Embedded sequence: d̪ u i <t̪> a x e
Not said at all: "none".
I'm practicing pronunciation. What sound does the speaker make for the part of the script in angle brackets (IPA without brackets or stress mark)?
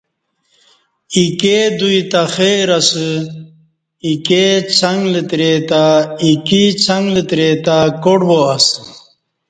t̪